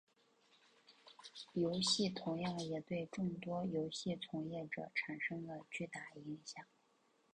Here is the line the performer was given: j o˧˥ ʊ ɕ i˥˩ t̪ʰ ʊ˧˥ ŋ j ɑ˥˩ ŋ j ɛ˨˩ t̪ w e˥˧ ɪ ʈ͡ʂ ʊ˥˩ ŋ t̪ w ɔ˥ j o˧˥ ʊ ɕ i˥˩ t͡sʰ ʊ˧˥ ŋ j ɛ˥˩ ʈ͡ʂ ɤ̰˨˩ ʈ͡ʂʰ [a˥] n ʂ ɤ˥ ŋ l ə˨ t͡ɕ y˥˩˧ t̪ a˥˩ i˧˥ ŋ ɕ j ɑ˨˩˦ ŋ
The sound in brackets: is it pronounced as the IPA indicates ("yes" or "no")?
no